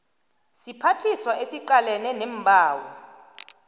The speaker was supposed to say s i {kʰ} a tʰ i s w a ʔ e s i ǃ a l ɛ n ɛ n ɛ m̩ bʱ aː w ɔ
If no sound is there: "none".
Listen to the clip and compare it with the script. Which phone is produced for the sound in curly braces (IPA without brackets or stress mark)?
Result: pʰ